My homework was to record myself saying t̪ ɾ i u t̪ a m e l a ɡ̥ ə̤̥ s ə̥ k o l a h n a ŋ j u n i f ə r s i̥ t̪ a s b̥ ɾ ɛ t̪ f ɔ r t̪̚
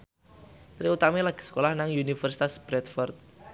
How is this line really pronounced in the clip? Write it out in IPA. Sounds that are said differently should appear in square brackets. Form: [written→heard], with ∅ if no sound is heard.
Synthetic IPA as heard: t̪ ɾ i u t̪ a m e l a ɡ̥ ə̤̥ s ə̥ k o l a h n a ŋ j u n i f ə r s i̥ t̪ a s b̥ ɾ ɛ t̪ f ɔ r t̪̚